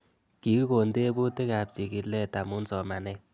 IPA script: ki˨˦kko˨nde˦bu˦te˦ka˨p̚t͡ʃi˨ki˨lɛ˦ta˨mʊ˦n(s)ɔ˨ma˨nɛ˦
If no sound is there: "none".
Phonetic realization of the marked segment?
s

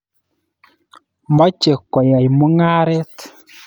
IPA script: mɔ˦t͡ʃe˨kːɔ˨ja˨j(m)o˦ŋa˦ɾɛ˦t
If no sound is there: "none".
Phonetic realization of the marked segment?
m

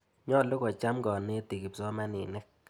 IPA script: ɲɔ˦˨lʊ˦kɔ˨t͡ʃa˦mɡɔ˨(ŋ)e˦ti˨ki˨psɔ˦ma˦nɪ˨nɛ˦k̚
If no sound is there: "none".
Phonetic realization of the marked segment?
n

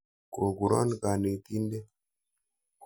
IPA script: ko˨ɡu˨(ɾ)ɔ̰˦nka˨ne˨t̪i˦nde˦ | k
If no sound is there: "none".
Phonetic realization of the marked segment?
ɾ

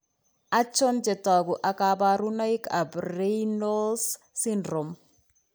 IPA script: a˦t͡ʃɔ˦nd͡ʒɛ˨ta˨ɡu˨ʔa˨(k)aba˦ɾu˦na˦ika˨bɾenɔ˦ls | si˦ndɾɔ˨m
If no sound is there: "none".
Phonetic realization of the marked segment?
k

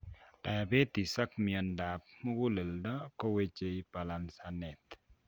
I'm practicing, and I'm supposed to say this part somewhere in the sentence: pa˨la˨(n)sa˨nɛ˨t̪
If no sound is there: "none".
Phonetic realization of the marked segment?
n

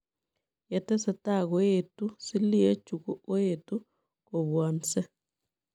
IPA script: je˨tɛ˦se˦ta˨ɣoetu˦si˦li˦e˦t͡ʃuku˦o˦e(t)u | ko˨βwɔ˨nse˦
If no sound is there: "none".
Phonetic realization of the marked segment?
t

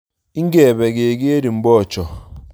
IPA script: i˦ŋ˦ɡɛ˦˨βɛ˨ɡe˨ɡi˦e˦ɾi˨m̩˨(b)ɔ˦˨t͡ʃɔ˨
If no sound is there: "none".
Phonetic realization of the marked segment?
b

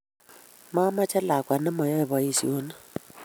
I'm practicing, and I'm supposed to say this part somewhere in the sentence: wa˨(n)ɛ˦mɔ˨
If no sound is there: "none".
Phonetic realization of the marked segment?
n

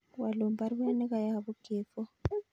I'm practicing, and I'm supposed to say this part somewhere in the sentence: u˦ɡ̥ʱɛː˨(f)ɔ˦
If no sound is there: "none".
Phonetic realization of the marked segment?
f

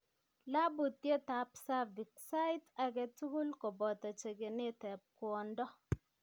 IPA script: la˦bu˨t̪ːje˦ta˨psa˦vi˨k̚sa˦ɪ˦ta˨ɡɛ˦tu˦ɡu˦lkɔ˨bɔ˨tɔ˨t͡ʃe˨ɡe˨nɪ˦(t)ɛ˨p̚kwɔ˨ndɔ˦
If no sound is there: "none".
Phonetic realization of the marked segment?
t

